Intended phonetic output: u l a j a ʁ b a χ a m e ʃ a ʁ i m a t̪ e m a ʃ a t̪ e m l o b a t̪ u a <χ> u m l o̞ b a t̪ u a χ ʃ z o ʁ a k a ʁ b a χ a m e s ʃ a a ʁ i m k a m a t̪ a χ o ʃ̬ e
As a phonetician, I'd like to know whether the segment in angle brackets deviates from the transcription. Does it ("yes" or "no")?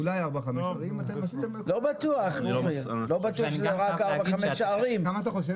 no